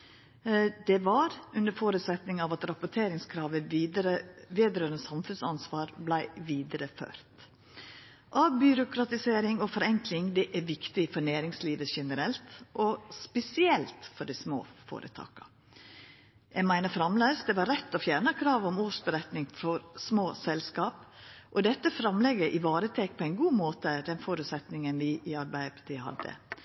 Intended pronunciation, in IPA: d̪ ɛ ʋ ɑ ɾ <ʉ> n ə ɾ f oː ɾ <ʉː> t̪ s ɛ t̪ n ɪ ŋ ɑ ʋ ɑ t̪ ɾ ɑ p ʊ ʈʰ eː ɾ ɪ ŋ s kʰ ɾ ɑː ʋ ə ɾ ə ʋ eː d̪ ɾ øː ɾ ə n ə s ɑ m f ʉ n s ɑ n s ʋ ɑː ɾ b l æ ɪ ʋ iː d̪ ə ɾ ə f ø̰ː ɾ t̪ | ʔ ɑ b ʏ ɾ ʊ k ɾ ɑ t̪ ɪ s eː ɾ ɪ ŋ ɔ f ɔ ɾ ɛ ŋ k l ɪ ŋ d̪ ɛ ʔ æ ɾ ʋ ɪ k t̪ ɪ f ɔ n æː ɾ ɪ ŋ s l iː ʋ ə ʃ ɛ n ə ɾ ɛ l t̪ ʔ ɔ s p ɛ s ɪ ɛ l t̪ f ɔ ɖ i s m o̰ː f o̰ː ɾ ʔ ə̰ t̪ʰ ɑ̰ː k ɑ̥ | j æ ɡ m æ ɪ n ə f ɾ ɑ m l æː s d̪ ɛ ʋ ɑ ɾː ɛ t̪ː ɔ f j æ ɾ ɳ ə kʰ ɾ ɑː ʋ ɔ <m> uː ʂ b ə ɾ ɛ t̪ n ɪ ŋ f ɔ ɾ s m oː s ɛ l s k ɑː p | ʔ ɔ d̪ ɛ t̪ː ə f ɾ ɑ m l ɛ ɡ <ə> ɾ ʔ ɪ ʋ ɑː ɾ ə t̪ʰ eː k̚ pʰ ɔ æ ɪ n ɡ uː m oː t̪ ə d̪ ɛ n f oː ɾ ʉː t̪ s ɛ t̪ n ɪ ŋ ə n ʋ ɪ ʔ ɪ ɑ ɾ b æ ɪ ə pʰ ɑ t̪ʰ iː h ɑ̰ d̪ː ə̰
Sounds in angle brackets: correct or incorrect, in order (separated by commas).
correct, incorrect, correct, correct